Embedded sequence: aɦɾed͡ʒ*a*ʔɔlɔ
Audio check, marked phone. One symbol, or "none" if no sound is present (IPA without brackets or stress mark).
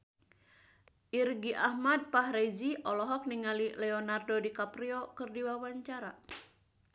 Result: i